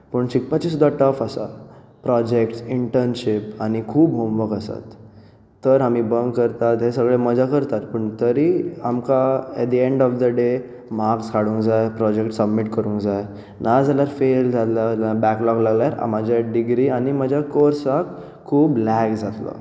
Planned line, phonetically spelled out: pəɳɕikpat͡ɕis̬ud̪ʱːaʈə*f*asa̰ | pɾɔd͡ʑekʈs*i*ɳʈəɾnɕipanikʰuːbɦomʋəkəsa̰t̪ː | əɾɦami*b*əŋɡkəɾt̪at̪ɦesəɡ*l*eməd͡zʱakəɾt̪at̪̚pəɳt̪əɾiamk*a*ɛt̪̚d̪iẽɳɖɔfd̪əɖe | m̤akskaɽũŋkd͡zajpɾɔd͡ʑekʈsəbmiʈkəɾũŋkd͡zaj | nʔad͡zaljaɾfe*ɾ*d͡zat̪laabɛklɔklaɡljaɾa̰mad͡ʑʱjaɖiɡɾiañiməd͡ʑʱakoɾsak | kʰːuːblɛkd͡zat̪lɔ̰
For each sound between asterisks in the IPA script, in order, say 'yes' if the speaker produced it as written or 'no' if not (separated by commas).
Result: yes, yes, yes, no, yes, no